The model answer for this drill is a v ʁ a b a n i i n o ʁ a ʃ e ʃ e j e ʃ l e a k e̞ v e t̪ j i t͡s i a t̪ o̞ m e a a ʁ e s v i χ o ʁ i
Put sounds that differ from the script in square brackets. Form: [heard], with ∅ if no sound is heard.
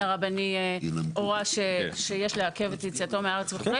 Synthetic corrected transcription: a [∅] ʁ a b a n i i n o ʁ a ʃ e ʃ e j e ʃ l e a k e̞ v e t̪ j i t͡s i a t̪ o̞ m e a a ʁ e [t͡s] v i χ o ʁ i